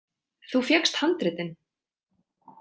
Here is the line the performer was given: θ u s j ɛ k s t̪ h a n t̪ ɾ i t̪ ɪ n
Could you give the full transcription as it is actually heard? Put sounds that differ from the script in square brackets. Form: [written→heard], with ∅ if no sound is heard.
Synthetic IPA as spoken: θ u [s→f] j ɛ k s t̪ h a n t̪ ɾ [i→ɪ] t̪ ɪ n